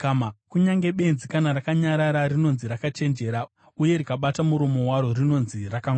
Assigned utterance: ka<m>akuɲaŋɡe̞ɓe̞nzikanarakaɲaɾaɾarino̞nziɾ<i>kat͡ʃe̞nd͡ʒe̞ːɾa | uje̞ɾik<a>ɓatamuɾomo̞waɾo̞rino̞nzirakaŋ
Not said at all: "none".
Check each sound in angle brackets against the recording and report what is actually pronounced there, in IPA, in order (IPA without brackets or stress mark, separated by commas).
m, a, a